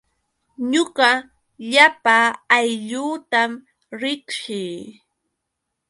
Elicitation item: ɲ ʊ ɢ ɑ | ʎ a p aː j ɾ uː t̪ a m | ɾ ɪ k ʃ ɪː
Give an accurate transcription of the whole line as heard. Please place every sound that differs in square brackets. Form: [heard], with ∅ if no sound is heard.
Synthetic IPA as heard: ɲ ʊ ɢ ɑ | ʎ a p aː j [ʎ] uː t̪ a m | ɾ ɪ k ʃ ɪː